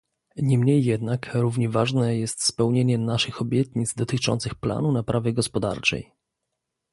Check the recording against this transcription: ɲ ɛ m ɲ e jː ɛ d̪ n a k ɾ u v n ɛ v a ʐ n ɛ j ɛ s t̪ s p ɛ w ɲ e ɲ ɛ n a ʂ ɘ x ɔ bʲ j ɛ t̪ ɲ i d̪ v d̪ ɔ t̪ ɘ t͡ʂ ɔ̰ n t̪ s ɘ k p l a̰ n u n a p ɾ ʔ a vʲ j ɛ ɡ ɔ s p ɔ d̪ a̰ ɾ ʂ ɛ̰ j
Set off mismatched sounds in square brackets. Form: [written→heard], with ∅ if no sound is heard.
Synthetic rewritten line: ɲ ɛ m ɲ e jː ɛ d̪ n a k ɾ u v [n→ɲ] ɛ v a ʐ n ɛ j ɛ s t̪ s p ɛ w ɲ e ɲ ɛ n a ʂ ɘ x ɔ bʲ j ɛ t̪ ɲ i d̪ [v→z] d̪ ɔ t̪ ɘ t͡ʂ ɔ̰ n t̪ s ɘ [k→x] p l a̰ n u n a p ɾ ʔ a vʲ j ɛ ɡ ɔ s p ɔ d̪ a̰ ɾ [ʂ→t͡ʂ] ɛ̰ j